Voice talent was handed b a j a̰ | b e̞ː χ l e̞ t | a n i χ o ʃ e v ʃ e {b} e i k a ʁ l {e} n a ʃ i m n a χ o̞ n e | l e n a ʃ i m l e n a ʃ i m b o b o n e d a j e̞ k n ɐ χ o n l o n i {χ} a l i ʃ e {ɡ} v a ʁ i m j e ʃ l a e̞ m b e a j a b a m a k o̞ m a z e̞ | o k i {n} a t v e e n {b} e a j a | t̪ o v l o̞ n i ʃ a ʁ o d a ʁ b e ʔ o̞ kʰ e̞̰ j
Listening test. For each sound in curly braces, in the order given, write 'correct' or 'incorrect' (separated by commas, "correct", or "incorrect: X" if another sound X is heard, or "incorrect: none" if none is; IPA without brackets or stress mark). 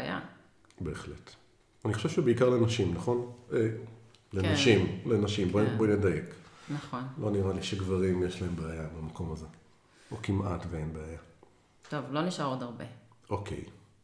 correct, correct, incorrect: ʁ, correct, incorrect: m, correct